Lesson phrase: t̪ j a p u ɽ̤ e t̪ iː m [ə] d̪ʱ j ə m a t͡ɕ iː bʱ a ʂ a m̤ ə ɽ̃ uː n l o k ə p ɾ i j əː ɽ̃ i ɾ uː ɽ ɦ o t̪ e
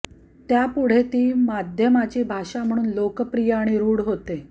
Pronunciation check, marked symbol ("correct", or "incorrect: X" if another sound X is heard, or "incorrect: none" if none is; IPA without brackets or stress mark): incorrect: a